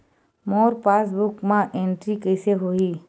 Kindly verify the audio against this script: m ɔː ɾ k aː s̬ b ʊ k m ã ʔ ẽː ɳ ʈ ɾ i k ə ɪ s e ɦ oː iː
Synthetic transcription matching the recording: m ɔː ɾ p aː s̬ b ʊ k m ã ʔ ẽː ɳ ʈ ɾ i k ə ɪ s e ɦ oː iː